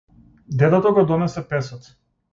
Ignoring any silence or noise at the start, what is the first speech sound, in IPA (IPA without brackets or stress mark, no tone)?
d̪